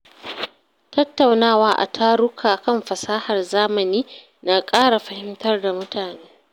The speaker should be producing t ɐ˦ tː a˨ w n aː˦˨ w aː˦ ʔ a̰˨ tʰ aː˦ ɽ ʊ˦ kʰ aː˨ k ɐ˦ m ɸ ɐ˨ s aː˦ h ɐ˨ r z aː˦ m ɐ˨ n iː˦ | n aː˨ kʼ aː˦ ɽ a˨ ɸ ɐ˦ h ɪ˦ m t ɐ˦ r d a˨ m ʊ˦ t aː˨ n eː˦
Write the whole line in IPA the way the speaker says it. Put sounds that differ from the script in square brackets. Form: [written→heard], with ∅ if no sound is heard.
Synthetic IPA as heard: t ɐ˦ tː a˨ w n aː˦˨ w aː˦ ʔ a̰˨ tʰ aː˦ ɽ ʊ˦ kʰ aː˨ k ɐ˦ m ɸ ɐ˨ s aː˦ h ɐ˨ r z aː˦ m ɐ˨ n iː˦ | n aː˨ kʼ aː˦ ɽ a˨ ɸ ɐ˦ h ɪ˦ m t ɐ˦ r d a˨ m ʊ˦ t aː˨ n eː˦